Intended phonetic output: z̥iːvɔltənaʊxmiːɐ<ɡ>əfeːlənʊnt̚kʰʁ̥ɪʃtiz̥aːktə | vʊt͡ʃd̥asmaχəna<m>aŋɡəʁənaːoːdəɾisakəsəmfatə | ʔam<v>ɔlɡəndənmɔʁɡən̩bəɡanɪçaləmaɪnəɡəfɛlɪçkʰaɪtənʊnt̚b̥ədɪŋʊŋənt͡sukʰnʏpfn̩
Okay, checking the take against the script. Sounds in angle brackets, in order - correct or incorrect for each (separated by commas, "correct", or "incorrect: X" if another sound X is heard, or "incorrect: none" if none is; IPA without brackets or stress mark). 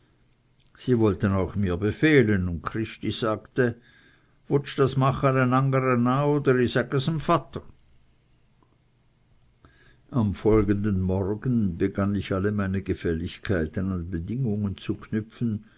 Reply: incorrect: b, incorrect: n, incorrect: f